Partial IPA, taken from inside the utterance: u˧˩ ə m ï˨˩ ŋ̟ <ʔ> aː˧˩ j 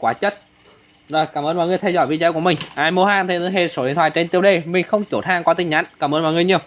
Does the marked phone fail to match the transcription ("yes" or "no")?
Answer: no